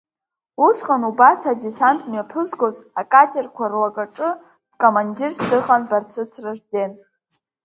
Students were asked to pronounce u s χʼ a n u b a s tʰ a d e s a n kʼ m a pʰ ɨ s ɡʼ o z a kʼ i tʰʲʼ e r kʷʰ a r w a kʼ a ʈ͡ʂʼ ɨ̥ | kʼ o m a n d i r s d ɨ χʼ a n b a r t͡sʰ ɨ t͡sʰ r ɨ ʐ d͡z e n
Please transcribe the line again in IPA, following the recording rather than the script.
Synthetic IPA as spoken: u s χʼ a n u b a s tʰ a d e s a n tʼ m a pʰ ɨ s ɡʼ o z a kʼ a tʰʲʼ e r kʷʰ a r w a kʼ a ʈ͡ʂʼ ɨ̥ | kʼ o m a n d i r s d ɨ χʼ a n b a r t͡sʰ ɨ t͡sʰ r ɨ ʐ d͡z e n

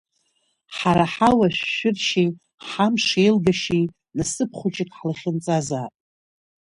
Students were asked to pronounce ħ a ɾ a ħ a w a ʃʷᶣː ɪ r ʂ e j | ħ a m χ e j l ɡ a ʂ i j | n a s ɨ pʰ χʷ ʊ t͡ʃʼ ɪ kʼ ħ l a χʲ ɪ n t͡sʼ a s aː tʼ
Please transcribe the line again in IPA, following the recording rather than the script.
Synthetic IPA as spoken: ħ a ɾ a ħ a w a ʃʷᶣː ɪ r ʃ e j | ħ a m ʂ e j l ɡ a ʃ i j | n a s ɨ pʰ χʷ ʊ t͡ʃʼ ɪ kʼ ħ l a χʲ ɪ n t͡sʼ a z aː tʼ

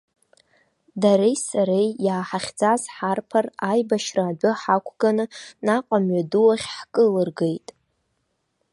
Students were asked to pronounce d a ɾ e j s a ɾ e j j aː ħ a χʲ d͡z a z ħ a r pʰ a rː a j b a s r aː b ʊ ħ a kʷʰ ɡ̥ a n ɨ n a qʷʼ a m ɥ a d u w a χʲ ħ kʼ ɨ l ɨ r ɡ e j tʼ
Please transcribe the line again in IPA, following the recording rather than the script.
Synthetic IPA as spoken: d a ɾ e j s a ɾ e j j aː ħ a χʲ d͡z a z ħ a r pʰ a r a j b a ʃ r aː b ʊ ħ a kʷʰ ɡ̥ a n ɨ n a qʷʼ a m ɥ a d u w a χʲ ħ kʼ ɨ l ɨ r ɡ e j tʼ

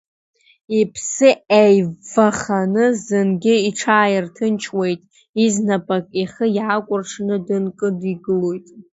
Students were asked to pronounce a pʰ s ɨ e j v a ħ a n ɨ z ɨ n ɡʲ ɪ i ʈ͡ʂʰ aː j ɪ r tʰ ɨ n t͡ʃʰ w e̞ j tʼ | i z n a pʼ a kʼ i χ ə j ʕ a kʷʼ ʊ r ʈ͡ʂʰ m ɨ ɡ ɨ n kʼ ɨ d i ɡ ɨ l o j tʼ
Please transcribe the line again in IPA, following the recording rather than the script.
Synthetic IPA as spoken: i pʰ s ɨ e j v a χ a n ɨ z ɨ n ɡʲ ɪ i ʈ͡ʂʰ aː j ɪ r tʰ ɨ n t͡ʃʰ w e̞ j tʼ | i z n a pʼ a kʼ i χ ə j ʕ a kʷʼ ʊ r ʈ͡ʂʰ n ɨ d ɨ n kʼ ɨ d i ɡ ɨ l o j tʼ

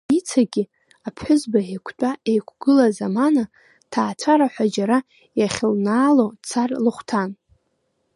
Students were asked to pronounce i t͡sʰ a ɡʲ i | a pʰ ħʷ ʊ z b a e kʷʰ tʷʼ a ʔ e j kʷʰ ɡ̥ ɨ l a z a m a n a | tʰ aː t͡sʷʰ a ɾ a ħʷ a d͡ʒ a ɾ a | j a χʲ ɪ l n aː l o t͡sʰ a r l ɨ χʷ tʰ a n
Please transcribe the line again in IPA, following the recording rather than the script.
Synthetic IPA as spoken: i t͡sʰ a ɡʲ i | a pʰ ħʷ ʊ z b a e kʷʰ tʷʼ a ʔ e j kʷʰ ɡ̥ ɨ l a z a m a n a | tʰ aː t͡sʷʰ a ɾ a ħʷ a d͡ʒ a ɾ a | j a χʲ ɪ l n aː l o t͡sʰ a r l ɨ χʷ tʰ a n

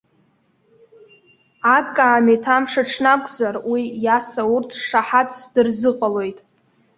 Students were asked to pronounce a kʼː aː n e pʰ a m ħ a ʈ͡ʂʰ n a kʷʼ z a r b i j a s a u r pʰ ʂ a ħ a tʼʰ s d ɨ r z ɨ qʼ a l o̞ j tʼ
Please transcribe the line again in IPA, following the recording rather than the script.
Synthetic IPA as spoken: a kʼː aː m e tʰ a m ʂ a ʈ͡ʂʰ n a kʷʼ z a r w i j a s a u r tʰ ʂ a ħ a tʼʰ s d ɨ r z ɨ qʼ a l o̞ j tʼ

